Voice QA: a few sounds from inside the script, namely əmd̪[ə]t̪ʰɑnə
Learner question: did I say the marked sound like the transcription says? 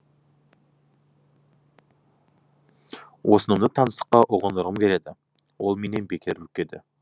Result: yes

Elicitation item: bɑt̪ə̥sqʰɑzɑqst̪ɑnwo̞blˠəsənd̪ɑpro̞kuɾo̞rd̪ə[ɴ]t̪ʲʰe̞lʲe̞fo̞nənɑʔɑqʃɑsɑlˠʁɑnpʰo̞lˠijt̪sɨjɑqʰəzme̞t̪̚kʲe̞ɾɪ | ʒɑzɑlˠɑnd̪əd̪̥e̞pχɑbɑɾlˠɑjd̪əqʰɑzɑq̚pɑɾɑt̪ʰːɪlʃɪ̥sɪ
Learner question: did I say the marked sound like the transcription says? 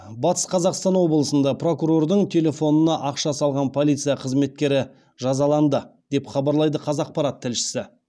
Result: yes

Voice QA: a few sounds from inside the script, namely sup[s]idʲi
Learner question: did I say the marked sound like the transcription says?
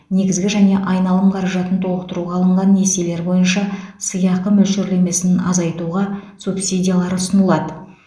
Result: yes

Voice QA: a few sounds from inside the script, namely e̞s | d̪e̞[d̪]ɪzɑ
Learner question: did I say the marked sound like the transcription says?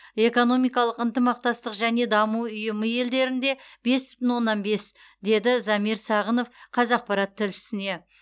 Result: yes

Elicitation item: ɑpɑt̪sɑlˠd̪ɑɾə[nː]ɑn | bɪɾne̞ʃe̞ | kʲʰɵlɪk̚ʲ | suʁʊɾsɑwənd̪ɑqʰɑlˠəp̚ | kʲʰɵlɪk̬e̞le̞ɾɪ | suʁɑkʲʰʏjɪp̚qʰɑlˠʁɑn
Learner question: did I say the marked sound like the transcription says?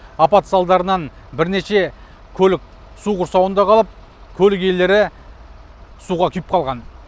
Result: no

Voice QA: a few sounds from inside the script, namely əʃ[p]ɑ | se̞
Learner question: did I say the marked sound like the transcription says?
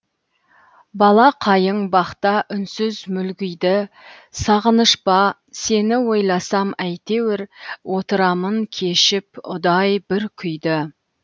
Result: yes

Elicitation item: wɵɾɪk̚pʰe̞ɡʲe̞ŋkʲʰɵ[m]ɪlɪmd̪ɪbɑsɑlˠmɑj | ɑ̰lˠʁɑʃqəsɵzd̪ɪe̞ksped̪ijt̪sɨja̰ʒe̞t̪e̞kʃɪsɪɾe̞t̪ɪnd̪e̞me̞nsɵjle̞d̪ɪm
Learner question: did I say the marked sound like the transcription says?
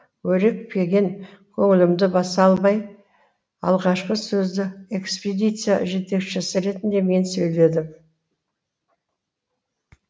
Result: no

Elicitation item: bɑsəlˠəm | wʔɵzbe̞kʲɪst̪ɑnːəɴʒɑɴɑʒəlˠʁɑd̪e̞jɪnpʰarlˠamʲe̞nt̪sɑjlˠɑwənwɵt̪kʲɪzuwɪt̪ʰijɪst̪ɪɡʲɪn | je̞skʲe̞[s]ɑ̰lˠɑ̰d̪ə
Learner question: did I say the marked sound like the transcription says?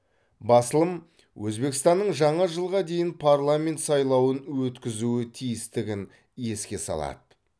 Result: yes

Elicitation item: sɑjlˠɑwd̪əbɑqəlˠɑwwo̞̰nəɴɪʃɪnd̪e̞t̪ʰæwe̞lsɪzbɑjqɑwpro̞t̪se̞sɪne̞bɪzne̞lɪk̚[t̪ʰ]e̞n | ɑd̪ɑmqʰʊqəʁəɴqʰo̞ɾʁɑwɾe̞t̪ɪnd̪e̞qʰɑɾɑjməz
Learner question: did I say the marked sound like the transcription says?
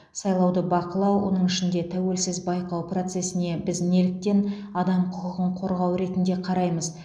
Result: no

